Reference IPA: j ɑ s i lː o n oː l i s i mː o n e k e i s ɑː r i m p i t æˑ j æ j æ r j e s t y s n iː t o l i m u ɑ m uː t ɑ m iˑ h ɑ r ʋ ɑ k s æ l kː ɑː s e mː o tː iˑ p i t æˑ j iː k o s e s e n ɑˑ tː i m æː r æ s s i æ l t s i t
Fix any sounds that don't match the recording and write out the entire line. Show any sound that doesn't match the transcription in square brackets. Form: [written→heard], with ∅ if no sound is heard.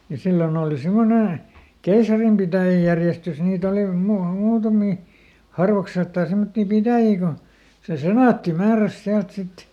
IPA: j ɑ s i lː o n oː l i s i mː o n e k e i s [ɑː→ɑ] r i m p i t æˑ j æ j æ r j e s t y s n iː t o l i m u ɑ m uː t ɑ m iˑ h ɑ r ʋ ɑ k s [æ→e] l [kː→tː] ɑː s e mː o tː iˑ p i t æˑ j iː k o s e s e n ɑˑ tː i m æː r æ s s i æ l t s i t